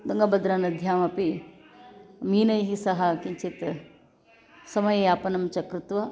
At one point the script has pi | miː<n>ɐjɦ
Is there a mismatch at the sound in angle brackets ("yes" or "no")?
no